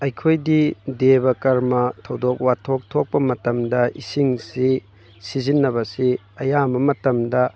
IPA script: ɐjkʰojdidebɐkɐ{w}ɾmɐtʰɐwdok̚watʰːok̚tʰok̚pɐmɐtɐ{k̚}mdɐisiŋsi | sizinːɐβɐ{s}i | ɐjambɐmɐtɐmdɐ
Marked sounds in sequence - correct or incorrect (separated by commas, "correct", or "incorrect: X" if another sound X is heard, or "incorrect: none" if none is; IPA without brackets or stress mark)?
incorrect: none, incorrect: none, correct